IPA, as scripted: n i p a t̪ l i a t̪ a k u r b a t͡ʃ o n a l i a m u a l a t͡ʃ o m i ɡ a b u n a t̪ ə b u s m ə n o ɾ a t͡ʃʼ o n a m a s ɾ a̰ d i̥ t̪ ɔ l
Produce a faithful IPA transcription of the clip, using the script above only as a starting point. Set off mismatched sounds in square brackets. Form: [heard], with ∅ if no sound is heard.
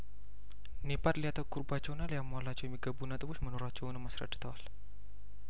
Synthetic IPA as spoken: n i p a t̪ l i a t̪ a k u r b a t͡ʃ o n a l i a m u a l a t͡ʃ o m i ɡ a b u n a t̪ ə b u s m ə n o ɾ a [t͡ʃ] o n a m a s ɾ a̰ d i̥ t̪ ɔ l

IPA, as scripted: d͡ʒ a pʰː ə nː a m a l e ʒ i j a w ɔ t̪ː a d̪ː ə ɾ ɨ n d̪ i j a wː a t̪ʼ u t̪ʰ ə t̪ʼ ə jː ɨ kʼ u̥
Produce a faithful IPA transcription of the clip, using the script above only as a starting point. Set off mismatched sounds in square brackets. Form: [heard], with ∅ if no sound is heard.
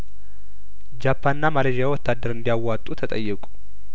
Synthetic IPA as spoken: d͡ʒ a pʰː [a] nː a m a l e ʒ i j a w ɔ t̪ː a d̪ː ə ɾ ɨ n d̪ i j a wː a t̪ʼ u t̪ʰ ə t̪ʼ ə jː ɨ kʼ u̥

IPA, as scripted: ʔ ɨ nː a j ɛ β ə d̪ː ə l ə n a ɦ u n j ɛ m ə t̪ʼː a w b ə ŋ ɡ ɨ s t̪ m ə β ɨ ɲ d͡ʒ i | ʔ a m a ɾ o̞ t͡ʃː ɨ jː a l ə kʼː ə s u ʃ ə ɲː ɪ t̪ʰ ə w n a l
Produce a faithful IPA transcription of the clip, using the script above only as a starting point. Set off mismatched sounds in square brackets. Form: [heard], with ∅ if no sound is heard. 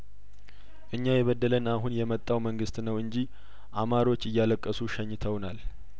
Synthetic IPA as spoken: ʔ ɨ [ɲː] a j ɛ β ə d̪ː ə l ə n a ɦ u n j ɛ m ə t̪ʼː a w [m] ə ŋ ɡ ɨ s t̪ [n] ə [w] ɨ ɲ d͡ʒ i | ʔ a m a ɾ o̞ t͡ʃː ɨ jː a l ə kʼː ə s u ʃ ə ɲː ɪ t̪ʰ ə w n a l

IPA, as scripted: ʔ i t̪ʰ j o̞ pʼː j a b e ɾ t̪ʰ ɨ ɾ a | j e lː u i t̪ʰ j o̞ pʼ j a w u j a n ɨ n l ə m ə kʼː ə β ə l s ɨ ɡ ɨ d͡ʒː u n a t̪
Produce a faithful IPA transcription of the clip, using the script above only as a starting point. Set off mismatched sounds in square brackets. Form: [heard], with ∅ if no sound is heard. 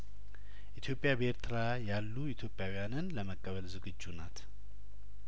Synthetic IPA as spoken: ʔ i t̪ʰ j o̞ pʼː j a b e ɾ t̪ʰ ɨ ɾ a | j [a] lː u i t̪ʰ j o̞ pʼ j a w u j a n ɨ n l ə m ə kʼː ə β ə l [z] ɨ ɡ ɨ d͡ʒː u n a t̪

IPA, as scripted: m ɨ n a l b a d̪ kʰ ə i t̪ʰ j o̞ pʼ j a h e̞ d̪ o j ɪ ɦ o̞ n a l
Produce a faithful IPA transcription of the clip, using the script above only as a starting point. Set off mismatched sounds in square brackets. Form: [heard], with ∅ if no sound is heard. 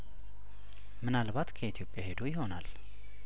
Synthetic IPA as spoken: m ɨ n a l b a [t̪] kʰ ə i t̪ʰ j o̞ pʼ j a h e̞ d̪ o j ɪ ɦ o̞ n a l

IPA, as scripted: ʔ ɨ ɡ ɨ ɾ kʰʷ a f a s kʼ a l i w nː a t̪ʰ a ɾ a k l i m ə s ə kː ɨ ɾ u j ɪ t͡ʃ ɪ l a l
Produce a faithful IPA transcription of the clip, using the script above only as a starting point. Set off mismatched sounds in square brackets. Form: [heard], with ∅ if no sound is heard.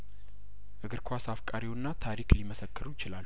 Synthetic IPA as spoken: ʔ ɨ ɡ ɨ ɾ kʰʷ a [s] a [f] kʼ a [ɾ] i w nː a t̪ʰ a ɾ [i] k l i m ə s ə kː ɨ ɾ u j ɪ t͡ʃ ɪ l a l

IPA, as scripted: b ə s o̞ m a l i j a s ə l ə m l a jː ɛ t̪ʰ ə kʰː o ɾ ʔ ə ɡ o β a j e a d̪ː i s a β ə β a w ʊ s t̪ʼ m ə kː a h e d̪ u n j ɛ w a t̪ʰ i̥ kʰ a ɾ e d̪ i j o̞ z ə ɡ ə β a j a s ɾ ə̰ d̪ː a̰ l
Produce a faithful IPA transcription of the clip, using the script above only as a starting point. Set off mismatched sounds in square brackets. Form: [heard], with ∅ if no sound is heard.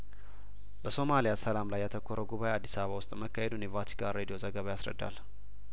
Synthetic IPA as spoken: b ə s o̞ m a l i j a s ə l [a] m l a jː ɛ t̪ʰ ə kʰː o ɾ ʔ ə ɡ [u] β a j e a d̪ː i s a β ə β a w ʊ s t̪ʼ m ə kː a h e d̪ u n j ɛ [v] a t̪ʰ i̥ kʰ a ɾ e d̪ i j o̞ z ə ɡ ə β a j a s ɾ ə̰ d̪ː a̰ l

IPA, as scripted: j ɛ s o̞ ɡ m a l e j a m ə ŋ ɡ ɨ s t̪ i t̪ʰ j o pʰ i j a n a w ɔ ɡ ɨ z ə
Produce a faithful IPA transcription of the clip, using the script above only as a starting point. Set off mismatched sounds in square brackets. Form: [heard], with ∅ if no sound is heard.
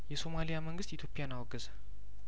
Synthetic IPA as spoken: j ɛ s o̞ [∅] m a l [i] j a m ə ŋ ɡ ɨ s t̪ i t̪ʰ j o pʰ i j a n a w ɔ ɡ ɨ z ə

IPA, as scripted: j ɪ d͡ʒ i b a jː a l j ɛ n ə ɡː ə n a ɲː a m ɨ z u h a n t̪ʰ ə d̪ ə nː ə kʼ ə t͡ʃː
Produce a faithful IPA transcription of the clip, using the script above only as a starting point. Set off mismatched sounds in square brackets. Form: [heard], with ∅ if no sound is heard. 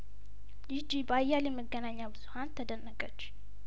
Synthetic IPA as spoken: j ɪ d͡ʒ i b a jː a l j ɛ [m] ə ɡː ə n a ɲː a [b] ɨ z u h a n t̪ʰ ə d̪ ə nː ə kʼ ə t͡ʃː

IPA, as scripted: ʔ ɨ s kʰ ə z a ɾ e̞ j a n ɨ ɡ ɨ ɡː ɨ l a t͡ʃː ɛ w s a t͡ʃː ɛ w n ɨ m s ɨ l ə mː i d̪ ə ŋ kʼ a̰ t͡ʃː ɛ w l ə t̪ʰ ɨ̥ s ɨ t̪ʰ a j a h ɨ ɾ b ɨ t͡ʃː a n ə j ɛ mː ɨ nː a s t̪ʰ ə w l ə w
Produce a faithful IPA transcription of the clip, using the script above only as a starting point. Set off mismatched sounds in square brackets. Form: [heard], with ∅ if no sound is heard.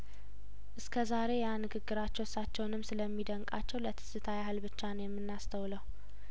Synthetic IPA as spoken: ʔ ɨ s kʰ ə z a ɾ e̞ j a n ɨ ɡ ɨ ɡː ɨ [ɾ] a t͡ʃː ɛ w s a t͡ʃː ɛ w n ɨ m s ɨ l ə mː i d̪ ə ŋ kʼ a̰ t͡ʃː ɛ w l ə t̪ʰ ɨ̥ s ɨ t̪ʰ a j a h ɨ [l] b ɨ t͡ʃː a n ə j ɛ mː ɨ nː a s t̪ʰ ə w l ə w

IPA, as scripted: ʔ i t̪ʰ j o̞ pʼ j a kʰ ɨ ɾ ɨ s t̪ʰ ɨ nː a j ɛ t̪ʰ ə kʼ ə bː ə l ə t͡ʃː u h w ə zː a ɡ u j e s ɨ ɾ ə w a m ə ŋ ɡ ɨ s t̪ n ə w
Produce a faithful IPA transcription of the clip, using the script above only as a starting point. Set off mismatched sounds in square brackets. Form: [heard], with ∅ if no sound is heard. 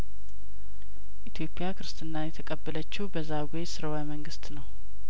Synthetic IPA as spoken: ʔ i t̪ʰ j o̞ pʼ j a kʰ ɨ ɾ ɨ s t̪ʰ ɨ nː a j ɛ t̪ʰ ə kʼ ə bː ə l ə t͡ʃː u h [b] ə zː a ɡ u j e s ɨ ɾ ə w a m ə ŋ ɡ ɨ s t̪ n ə w

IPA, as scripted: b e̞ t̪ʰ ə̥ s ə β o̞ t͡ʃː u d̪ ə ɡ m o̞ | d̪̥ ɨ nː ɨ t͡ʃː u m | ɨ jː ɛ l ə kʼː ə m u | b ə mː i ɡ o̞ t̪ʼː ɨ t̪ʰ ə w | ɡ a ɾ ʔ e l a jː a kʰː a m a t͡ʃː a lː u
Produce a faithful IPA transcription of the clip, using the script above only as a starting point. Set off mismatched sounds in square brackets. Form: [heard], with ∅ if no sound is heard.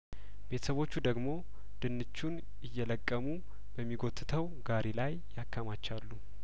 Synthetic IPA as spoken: b e̞ t̪ʰ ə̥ s ə β o̞ t͡ʃː u d̪ ə ɡ m o̞ | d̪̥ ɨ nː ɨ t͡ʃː u [n] | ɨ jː ɛ l ə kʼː ə m u | b ə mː i ɡ o̞ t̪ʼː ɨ t̪ʰ ə w | ɡ a ɾ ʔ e l a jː a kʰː a m a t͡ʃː a lː u

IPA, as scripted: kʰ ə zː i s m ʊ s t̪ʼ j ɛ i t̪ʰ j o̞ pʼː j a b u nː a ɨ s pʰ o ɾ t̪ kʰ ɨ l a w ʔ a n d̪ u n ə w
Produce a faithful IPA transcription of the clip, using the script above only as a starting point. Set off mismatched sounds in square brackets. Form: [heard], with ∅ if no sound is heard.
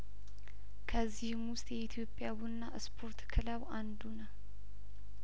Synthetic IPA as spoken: kʰ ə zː i [h] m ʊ s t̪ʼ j ɛ i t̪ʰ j o̞ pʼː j a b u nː a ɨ s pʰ o ɾ t̪ kʰ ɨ l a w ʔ a n d̪ u n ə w

